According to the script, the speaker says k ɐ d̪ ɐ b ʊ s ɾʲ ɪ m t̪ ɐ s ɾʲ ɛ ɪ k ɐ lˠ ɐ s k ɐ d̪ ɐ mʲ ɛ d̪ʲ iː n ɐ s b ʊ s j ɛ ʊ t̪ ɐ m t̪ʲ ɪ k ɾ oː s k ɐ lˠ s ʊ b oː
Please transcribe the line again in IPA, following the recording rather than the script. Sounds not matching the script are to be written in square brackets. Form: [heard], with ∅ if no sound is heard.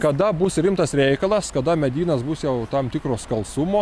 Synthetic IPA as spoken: k ɐ d̪ ɐ b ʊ s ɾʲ ɪ m t̪ ɐ s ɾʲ ɛ ɪ k ɐ lˠ ɐ s k ɐ d̪ ɐ mʲ ɛ d̪ʲ iː n ɐ s b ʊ s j ɛ ʊ t̪ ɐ m t̪ʲ ɪ k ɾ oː s k ɐ lˠ s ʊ [m] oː